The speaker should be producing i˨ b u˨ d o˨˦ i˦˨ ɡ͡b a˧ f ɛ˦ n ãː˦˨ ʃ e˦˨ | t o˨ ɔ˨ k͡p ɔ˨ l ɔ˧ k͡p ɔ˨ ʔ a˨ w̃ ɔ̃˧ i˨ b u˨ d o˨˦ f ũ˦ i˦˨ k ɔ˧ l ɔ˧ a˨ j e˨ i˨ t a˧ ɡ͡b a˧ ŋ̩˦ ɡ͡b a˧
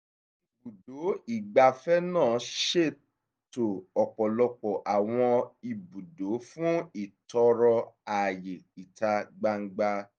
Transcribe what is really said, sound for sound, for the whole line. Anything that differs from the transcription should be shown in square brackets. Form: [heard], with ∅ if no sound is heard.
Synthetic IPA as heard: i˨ b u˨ d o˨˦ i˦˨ ɡ͡b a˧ f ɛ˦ n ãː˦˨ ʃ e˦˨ | t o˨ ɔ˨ k͡p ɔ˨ l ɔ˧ k͡p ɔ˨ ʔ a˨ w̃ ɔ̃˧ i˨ b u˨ d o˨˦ f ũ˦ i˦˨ [t] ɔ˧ [ɾ] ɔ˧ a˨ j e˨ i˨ t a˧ ɡ͡b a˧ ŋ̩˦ ɡ͡b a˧